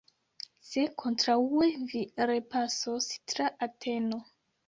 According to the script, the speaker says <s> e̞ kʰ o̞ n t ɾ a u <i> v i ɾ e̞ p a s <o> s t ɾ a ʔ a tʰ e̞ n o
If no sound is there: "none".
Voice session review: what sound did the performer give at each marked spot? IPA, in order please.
s, e, o

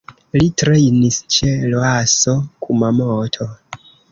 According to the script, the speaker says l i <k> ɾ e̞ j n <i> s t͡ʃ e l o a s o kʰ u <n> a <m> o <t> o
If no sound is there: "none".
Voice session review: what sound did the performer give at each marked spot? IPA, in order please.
t, i, m, m, tʰ

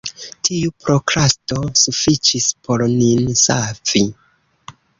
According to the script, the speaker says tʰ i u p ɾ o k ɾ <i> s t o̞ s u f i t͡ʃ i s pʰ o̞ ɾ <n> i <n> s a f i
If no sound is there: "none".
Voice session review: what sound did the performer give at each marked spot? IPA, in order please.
a, n, n

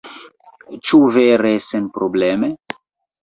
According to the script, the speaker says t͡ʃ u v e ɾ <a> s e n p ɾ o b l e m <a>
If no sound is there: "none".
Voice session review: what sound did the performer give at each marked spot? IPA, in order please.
e, e

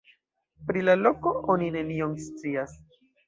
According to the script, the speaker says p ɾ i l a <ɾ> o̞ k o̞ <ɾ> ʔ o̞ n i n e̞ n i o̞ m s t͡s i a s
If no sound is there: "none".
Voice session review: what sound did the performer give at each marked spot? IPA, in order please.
l, none

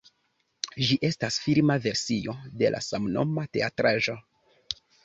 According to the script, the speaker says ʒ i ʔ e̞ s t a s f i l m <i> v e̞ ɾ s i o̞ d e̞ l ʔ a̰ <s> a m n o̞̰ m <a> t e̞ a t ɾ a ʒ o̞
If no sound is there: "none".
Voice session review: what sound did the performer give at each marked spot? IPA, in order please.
a, s, a

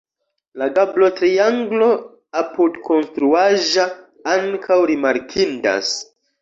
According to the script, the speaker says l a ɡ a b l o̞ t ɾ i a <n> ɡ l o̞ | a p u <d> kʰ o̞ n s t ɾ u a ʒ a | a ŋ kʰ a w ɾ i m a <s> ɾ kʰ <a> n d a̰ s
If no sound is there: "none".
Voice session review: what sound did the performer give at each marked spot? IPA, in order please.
ŋ, d, none, i

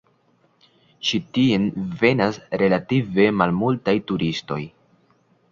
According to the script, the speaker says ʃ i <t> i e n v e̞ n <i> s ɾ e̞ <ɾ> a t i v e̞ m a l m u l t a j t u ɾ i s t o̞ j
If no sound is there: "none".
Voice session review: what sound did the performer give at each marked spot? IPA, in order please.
t, a, l

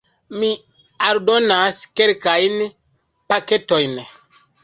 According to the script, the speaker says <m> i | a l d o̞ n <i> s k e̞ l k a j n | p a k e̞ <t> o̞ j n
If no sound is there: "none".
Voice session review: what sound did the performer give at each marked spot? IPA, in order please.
m, a, t

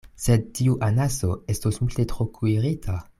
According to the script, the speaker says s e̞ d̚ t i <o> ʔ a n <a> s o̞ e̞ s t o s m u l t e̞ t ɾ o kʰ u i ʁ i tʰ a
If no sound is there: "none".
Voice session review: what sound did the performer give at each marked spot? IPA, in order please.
u, a

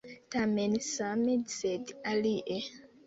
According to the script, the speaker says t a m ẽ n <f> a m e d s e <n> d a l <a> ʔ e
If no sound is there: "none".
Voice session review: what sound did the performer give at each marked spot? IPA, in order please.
s, none, i

